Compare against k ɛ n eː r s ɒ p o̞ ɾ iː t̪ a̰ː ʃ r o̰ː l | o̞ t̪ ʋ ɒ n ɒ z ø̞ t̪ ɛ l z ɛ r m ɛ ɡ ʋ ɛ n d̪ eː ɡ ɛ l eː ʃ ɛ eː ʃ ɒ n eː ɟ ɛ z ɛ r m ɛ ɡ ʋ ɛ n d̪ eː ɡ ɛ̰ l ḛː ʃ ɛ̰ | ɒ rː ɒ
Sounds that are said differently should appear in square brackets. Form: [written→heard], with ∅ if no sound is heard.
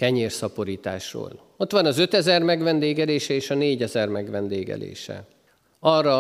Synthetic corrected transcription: k ɛ [n→ɲ] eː r s ɒ p o̞ ɾ iː t̪ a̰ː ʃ r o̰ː l | o̞ t̪ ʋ ɒ n ɒ z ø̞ t̪ ɛ [l→∅] z ɛ r m ɛ ɡ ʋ ɛ n d̪ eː ɡ ɛ l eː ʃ ɛ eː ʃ ɒ n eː ɟ ɛ z ɛ r m ɛ ɡ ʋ ɛ n d̪ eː ɡ ɛ̰ l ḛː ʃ ɛ̰ | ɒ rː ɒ